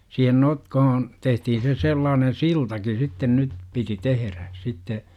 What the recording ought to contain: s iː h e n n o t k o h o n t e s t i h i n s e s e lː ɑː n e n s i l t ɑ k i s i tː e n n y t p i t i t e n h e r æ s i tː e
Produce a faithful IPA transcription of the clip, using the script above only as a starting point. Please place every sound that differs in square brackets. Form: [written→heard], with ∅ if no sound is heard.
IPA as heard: s iː h e n n o t k o h o n t e [s→h] t i h i n s e s e lː ɑː n e n s i l t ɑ k i s i tː e n n y t p i t i t e [n→∅] h e r æ s i tː e

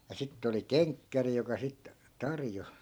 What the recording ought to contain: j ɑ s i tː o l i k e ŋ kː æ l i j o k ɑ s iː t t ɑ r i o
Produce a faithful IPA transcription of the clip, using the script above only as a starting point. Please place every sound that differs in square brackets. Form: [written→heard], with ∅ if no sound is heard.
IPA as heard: j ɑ s i tː o l i k e ŋ kː æ [l→r] i j o k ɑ s [iː→i] t t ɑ r [i→j] o

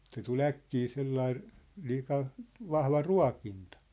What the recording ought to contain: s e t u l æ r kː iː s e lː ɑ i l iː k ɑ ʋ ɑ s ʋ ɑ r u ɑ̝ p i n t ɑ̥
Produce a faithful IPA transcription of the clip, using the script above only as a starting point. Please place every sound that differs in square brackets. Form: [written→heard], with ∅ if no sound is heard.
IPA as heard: s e t u l æ [r→∅] kː iː s e lː ɑ i l iː k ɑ ʋ ɑ [s→h] ʋ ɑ r u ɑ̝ [p→k] i n t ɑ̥

